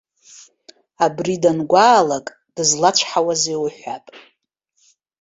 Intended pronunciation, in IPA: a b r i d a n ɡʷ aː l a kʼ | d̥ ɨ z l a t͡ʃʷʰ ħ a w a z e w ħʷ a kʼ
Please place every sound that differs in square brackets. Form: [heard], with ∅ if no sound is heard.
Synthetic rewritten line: a b r i d a n ɡʷ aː l a kʼ | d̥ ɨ z l a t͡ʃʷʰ ħ a w a z e w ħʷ a [pʼ]

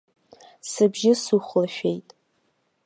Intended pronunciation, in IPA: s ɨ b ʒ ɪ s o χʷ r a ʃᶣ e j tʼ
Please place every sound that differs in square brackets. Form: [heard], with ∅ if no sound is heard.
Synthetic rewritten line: s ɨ b ʒ ɪ s [u] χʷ [l] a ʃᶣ e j tʼ

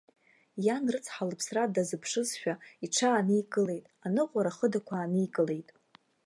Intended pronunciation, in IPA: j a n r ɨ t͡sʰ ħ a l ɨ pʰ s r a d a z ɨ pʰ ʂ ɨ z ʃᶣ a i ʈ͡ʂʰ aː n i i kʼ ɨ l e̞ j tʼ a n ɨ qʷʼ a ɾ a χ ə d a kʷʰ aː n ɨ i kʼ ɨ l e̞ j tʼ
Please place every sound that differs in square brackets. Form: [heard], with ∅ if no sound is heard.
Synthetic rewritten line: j a n r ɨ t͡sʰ ħ a l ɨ pʰ s r a d a z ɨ pʰ ʂ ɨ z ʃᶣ a i ʈ͡ʂʰ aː n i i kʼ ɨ l e̞ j tʼ a n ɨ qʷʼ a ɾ a χ ə d a kʷʰ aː n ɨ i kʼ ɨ l e̞ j tʼ

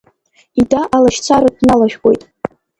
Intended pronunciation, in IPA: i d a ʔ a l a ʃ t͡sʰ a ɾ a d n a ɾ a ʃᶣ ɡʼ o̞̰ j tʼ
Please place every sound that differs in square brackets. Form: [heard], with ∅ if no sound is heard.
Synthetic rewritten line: i d a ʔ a l a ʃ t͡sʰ a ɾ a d n a [l] a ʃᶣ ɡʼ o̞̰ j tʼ

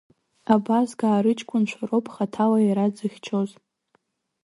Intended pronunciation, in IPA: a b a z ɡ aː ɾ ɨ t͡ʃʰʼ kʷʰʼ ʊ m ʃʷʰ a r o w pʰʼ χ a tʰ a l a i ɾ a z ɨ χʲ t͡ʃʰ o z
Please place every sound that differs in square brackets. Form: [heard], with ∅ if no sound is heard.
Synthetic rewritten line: a b a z ɡ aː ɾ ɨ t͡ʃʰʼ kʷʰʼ ʊ [n] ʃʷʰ a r o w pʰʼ χ a tʰ a l a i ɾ a [d͡z] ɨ χʲ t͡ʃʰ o z

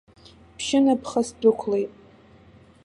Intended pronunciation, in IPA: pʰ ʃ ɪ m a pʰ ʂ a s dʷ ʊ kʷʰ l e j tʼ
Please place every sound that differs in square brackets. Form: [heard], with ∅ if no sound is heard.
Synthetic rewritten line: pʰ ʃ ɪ [n] a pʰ [χ] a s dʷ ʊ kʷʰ l e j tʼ

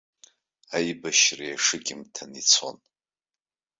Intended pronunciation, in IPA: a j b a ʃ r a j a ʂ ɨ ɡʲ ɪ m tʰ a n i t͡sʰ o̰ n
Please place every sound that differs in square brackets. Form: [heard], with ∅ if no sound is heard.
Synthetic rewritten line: a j b a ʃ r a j a ʂ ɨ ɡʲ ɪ m tʰ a n i t͡sʰ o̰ n

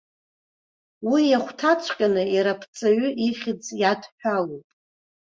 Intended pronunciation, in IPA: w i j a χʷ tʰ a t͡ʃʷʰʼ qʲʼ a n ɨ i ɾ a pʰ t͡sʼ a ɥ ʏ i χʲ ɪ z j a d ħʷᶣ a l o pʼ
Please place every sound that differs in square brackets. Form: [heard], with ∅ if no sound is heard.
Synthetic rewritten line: w i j a χʷ tʰ a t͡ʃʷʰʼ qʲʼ a n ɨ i ɾ a pʰ t͡sʼ a ɥ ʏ i χʲ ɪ [d͡z] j a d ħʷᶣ a l o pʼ

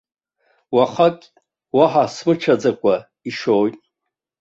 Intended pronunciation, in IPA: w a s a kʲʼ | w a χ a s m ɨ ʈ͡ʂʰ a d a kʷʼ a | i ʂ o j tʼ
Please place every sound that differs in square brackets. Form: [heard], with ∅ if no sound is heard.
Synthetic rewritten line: w a [χ] a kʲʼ | w a [ħ] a s m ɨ ʈ͡ʂʰ a [d͡z] a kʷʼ a | i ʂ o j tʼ

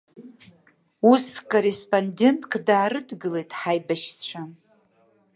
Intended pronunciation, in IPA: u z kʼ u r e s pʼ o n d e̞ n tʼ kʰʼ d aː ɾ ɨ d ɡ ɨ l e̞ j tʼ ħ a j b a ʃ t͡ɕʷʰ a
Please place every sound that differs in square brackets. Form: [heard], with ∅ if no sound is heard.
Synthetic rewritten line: u [s] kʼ [o] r e s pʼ o n d e̞ n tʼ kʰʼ d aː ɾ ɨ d ɡ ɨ l e̞ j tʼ ħ a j b a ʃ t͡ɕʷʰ a

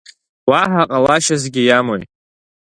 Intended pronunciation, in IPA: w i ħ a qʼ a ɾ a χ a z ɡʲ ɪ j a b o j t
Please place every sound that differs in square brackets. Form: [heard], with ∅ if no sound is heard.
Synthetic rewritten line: w [a] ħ a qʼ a [l] a [ʃ] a z ɡʲ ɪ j a [m] o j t

